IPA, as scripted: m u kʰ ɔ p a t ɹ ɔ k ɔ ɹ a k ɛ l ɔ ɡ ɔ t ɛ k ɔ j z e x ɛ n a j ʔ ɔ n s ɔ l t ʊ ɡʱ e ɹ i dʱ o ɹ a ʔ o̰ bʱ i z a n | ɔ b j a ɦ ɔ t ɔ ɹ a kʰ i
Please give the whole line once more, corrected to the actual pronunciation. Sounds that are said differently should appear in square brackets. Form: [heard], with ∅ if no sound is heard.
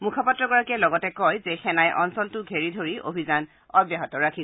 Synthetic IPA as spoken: m u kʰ ɔ p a t ɹ ɔ [ɡ] ɔ ɹ a k ɛ l ɔ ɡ ɔ t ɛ k ɔ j z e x ɛ n a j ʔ ɔ n s ɔ l t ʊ ɡʱ e ɹ i dʱ o ɹ [i] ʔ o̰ bʱ i z a n | ɔ b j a ɦ ɔ t ɔ ɹ a kʰ i